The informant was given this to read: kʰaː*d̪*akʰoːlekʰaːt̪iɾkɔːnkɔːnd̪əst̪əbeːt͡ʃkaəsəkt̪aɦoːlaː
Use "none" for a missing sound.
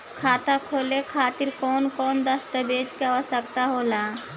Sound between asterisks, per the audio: t̪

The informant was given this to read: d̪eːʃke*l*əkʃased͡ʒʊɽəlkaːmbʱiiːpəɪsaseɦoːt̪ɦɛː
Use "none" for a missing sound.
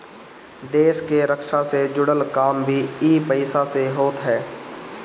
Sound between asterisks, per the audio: ɾ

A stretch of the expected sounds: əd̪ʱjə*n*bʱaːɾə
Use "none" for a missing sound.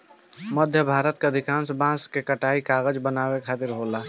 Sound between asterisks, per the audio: none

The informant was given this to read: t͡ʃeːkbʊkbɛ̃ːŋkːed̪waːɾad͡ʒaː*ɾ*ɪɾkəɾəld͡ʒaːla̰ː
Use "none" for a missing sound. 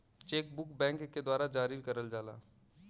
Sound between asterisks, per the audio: ɾ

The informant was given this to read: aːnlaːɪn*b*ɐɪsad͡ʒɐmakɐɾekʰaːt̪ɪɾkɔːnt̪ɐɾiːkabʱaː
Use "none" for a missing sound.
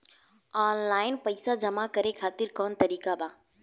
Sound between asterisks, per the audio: p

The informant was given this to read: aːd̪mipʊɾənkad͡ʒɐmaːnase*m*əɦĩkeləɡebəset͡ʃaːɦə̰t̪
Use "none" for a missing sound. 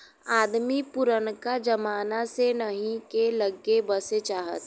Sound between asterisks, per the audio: n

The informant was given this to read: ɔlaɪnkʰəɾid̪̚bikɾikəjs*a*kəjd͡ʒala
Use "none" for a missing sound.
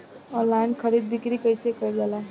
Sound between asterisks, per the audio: e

